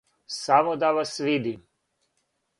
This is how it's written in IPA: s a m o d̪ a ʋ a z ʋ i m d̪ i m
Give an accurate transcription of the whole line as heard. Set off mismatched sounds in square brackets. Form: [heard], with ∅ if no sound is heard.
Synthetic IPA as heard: s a m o d̪ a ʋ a [s] ʋ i [∅] d̪ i m